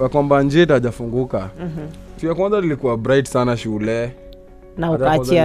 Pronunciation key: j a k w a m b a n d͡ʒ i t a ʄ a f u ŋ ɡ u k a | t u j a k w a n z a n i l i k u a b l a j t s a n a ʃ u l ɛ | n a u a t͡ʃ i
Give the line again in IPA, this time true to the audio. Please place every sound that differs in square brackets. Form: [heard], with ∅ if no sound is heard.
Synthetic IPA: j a k w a m b a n d͡ʒ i t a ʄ a f u ŋ ɡ u k a | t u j a k w a n z a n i l i k u a b [ɾ] a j t s a n a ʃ u l ɛ | n a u a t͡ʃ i